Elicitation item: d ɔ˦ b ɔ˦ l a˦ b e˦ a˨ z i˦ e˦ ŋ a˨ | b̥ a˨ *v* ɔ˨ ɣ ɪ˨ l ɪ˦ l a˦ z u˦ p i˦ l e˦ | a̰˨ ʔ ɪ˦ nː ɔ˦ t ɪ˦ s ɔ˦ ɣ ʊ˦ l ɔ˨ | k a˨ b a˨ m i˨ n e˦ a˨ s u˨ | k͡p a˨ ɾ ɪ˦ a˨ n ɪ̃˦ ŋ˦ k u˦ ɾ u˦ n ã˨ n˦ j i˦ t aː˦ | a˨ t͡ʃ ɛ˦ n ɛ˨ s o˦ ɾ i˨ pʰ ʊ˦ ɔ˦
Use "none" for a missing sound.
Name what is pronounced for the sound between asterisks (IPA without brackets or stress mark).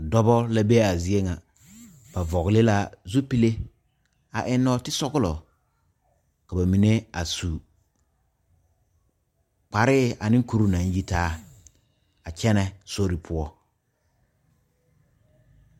v